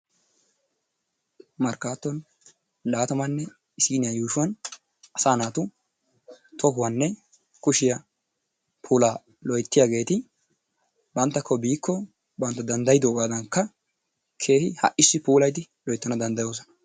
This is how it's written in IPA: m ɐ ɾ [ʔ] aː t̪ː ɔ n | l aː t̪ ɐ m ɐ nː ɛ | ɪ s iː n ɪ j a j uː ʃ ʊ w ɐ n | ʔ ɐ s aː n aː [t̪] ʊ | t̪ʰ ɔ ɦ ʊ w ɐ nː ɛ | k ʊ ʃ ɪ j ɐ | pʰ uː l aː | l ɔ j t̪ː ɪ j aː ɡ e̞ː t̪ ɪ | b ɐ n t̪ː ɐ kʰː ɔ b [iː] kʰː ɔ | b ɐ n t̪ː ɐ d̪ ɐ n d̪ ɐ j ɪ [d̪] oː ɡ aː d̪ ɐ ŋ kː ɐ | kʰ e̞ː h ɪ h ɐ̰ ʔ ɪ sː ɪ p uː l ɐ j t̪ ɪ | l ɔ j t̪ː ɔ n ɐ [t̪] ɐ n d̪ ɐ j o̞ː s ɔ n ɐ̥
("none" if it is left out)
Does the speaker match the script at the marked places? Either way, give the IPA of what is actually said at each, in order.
k, t̪, iː, d̪, d̪

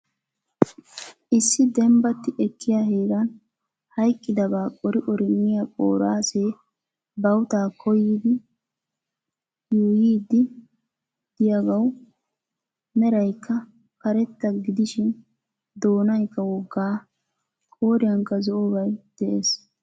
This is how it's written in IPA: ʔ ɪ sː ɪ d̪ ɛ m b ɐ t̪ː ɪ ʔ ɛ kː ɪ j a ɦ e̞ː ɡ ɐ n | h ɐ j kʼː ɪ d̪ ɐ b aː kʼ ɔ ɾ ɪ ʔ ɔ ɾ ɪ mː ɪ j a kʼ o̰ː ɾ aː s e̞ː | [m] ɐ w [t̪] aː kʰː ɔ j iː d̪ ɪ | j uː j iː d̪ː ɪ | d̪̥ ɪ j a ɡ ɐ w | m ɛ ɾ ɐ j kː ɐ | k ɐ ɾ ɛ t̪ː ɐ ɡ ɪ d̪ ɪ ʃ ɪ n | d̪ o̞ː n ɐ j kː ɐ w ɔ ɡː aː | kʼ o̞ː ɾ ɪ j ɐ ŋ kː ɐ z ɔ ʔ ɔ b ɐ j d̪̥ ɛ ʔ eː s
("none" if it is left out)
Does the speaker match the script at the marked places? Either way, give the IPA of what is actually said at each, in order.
b, t̪

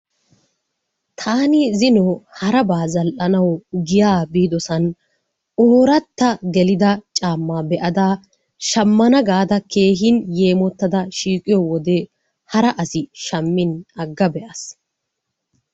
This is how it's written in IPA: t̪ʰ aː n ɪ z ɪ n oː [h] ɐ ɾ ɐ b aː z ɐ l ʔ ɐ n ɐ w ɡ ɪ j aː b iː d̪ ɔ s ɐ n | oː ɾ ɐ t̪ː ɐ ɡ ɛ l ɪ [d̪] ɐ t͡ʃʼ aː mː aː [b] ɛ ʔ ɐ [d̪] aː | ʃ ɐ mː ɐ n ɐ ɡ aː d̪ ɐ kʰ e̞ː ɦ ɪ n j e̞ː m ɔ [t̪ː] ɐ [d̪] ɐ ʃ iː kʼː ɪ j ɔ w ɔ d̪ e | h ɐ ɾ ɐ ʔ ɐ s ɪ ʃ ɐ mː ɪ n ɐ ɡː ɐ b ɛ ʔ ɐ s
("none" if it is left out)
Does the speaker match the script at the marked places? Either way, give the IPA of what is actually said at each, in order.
h, d̪, b, d̪, t̪ː, d̪

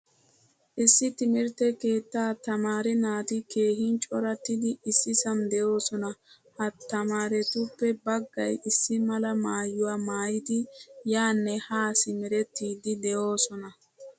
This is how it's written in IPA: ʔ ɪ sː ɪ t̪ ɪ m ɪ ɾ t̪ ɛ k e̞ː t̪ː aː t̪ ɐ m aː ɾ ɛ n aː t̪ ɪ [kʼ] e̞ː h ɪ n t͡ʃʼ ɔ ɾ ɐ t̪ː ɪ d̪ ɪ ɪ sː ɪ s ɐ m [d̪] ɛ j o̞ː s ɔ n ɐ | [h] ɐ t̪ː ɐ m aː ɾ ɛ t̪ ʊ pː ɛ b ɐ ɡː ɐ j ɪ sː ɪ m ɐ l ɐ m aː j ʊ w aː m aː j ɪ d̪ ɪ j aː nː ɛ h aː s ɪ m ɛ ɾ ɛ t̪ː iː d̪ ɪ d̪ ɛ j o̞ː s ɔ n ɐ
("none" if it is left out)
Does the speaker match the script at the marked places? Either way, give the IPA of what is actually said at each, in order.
k, d̪, h

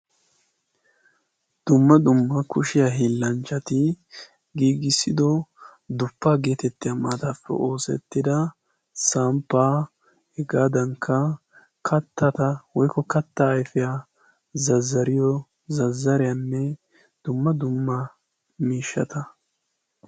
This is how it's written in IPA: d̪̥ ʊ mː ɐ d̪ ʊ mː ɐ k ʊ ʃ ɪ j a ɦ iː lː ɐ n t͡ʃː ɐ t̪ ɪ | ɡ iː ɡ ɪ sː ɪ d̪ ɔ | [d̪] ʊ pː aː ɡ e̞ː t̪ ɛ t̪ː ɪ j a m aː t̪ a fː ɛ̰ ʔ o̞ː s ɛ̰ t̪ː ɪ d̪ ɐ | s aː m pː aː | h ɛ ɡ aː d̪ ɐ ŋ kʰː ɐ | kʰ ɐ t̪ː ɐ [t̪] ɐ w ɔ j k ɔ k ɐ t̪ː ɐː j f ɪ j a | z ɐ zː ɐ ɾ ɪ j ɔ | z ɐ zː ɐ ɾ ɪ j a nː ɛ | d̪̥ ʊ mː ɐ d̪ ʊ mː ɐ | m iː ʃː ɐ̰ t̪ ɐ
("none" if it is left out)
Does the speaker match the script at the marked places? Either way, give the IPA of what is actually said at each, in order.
d̪, t̪

